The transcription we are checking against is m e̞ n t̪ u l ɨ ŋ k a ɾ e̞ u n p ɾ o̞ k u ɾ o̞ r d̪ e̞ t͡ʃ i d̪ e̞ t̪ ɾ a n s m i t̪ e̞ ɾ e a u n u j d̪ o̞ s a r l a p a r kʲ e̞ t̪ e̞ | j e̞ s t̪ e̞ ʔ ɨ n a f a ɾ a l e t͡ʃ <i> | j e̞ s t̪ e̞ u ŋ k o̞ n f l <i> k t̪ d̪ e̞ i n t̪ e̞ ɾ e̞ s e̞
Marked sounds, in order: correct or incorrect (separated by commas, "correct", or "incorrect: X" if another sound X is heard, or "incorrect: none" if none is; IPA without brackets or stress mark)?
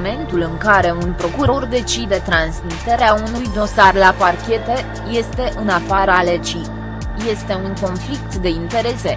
correct, correct